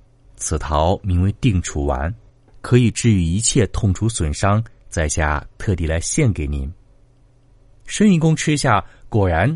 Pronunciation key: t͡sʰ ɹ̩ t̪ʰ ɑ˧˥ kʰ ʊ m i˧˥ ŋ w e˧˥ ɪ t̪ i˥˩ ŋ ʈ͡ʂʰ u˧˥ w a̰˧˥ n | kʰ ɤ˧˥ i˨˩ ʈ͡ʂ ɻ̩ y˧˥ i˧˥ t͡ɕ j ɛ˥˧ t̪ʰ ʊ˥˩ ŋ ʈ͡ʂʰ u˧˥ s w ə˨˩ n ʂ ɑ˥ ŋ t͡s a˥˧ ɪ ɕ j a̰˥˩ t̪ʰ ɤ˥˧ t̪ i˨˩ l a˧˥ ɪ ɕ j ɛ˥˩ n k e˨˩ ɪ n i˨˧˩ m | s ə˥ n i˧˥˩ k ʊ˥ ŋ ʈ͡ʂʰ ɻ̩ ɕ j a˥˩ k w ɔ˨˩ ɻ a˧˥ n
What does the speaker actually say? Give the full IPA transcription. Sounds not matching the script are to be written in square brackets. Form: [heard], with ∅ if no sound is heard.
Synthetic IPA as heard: t͡sʰ ɹ̩ t̪ʰ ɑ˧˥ [∅] ʊ m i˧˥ ŋ w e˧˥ ɪ t̪ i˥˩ ŋ ʈ͡ʂʰ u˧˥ w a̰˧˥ n | kʰ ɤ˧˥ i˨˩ ʈ͡ʂ ɻ̩ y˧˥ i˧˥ [t͡ɕʰ] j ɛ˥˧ t̪ʰ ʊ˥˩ ŋ ʈ͡ʂʰ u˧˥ s w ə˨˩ n ʂ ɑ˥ ŋ t͡s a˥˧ ɪ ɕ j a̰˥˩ t̪ʰ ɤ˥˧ t̪ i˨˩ l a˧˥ ɪ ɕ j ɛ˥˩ n k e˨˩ ɪ n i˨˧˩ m | [ʂ] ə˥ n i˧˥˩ k ʊ˥ ŋ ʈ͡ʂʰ ɻ̩ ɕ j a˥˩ k w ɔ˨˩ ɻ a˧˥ n